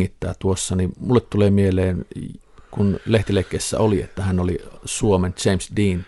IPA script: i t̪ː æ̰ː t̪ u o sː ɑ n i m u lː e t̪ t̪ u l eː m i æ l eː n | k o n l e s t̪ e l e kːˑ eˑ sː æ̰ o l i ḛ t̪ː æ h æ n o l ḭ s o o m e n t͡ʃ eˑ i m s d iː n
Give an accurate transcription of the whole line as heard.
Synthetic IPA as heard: i t̪ː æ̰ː t̪ u o sː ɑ n i m u lː e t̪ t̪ u l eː m i e l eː n | k u n l e h t̪ i l e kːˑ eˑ sː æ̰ o l i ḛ t̪ː æ h æ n o l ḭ s u o m e n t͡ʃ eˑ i m s d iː n